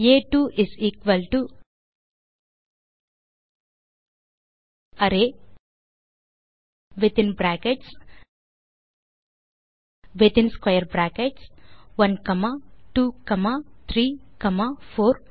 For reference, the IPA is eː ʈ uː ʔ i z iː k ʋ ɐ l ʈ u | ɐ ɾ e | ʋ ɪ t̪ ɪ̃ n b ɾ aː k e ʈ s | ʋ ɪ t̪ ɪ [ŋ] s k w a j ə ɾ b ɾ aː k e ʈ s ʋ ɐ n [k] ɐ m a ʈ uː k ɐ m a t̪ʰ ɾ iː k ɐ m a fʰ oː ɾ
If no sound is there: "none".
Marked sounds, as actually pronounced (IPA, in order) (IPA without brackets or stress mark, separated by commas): n, k